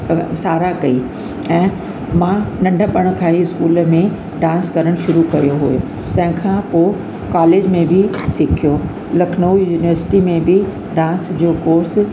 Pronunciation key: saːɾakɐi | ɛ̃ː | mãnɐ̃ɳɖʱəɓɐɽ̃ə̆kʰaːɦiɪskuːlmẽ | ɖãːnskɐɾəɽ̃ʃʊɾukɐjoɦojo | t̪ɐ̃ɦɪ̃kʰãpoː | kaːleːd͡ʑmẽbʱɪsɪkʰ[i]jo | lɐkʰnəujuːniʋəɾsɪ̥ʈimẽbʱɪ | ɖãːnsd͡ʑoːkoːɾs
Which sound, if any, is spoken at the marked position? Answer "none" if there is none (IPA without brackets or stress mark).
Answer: i